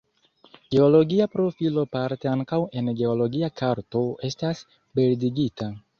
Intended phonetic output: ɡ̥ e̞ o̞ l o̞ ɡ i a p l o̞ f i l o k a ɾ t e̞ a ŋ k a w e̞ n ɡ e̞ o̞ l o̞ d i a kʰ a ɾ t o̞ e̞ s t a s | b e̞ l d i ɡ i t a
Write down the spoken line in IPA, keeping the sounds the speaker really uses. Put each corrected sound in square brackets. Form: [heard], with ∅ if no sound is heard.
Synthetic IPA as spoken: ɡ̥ e̞ o̞ l o̞ ɡ i a p [ɾ] o̞ f i l o [p] a ɾ t e̞ a ŋ k a w e̞ n ɡ e̞ o̞ l o̞ [ɡ] i a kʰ a ɾ t o̞ e̞ s t a s | b e̞ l d i ɡ i t a